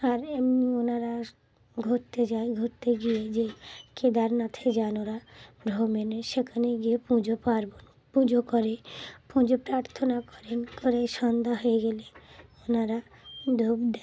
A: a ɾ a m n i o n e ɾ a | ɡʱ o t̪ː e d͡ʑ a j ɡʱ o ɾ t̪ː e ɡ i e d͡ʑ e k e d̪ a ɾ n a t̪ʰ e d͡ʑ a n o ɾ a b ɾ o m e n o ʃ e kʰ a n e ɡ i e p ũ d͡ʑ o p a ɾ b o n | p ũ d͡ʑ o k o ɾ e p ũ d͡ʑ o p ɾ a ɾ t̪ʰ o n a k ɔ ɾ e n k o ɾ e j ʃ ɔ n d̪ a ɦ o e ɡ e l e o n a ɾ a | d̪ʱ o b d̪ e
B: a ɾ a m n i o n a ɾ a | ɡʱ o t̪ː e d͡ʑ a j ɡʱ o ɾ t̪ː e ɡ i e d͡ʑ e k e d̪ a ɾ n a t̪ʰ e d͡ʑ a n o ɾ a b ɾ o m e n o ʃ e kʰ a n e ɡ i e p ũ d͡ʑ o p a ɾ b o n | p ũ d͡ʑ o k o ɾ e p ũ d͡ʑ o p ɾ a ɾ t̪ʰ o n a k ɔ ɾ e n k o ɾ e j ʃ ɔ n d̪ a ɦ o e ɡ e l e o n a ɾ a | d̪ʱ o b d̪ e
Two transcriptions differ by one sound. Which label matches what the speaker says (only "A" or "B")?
B